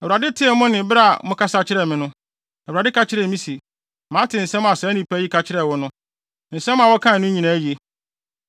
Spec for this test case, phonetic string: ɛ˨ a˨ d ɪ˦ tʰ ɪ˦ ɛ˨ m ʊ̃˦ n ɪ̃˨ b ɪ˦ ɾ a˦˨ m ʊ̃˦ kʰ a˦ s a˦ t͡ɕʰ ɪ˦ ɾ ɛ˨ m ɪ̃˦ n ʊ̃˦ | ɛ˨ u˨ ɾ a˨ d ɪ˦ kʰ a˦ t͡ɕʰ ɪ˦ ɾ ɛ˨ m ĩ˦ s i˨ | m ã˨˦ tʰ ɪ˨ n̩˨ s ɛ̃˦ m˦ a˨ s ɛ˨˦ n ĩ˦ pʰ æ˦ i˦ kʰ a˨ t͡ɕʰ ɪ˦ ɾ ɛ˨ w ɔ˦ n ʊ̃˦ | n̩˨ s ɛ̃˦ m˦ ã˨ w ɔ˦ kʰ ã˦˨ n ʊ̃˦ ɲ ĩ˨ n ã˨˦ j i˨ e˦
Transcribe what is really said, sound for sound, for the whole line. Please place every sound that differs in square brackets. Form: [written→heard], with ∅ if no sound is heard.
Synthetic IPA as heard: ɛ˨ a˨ d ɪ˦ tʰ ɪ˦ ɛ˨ m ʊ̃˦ n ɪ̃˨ b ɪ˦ ɾ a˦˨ m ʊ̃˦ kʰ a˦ s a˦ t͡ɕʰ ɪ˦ ɾ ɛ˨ m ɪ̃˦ n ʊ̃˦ | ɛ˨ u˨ ɾ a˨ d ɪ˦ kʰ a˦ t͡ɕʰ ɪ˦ ɾ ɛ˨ m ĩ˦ s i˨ | m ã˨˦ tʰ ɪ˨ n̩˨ s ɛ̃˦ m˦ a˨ s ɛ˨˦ n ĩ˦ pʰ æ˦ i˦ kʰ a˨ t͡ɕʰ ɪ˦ ɾ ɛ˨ w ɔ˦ n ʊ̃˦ | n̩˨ s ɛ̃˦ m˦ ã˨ w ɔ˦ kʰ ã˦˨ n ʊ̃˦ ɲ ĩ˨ n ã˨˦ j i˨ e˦

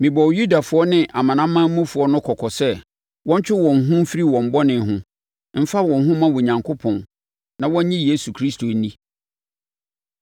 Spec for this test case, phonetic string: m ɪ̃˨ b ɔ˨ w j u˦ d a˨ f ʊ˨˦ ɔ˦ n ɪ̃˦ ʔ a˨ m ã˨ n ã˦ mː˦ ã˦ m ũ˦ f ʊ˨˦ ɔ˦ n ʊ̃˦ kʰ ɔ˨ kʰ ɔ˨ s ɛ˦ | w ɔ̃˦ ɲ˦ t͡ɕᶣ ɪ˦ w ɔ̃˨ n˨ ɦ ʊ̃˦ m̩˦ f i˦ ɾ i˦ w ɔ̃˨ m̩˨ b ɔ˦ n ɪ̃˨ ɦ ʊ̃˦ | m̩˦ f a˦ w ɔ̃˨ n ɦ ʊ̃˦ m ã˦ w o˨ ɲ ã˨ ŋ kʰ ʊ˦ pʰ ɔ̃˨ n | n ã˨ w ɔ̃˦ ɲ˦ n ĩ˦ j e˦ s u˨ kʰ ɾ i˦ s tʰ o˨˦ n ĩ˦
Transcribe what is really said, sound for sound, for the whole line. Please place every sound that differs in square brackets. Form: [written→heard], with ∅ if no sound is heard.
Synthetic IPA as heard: m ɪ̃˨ b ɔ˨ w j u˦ d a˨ f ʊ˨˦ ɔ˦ n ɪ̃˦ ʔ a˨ m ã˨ n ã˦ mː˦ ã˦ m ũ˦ f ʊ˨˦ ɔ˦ n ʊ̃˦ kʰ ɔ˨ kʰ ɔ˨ s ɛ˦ | w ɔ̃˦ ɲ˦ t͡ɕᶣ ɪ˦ w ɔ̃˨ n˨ ɦ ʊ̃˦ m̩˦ f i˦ ɾ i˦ w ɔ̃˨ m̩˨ b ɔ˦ n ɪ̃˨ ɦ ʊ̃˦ | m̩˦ f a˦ w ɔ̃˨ n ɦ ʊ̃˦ m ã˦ w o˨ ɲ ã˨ ŋ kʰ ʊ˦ pʰ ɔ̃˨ n | n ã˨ w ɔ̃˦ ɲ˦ [n→ɲ] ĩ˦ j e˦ s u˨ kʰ ɾ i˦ s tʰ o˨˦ n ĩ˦

